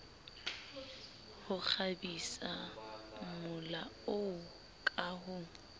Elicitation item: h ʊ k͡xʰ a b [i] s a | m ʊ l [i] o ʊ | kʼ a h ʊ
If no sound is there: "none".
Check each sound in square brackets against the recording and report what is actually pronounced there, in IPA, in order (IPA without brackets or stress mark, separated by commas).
i, a